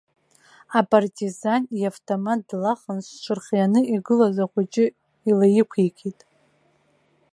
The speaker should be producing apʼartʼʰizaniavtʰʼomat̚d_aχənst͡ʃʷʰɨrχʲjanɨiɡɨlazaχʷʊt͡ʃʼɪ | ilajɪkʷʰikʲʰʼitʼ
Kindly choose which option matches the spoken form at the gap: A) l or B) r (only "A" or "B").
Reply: A